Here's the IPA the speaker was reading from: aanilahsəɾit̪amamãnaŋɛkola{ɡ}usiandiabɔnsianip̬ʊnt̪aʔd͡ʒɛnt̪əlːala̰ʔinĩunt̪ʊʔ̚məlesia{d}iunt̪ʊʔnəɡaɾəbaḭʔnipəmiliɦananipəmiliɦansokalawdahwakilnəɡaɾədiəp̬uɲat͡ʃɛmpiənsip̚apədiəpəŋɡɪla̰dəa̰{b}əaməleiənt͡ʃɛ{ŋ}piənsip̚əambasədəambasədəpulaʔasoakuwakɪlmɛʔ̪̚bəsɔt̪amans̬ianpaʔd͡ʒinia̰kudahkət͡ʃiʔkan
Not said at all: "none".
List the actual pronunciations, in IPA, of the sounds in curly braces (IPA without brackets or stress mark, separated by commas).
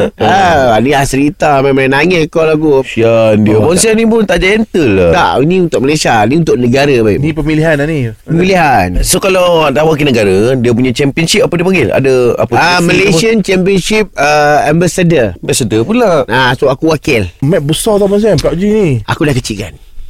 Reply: ɡ, n, p, m